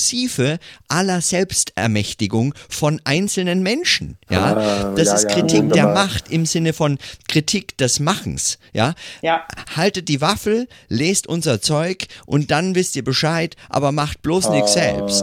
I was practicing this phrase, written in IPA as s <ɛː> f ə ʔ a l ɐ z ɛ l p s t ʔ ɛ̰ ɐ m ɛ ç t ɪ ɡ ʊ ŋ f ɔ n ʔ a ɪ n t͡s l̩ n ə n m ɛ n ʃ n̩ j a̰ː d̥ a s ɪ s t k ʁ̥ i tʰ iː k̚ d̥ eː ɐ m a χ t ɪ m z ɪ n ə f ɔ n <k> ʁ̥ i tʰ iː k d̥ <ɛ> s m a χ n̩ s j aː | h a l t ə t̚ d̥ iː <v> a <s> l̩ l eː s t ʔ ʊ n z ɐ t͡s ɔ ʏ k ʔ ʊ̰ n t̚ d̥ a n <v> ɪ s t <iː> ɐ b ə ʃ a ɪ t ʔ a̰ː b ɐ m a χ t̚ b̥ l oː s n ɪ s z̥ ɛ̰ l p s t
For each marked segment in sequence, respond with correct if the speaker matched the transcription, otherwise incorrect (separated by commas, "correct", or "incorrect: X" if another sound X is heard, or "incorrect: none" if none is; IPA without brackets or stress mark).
incorrect: iː, correct, correct, correct, incorrect: f, correct, correct